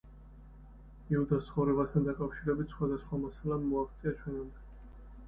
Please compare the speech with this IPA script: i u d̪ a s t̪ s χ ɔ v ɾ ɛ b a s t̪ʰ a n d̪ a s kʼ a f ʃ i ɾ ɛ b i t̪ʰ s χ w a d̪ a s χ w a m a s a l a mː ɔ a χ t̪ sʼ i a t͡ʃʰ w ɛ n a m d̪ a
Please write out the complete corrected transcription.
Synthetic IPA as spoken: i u d̪ a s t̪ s χ ɔ v ɾ ɛ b a s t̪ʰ a n d̪ a kʼ a f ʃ i ɾ ɛ b i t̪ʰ s χ w a d̪ a s χ w a m a s a l a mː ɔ a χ t̪ sʼ i a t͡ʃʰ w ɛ n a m d̪ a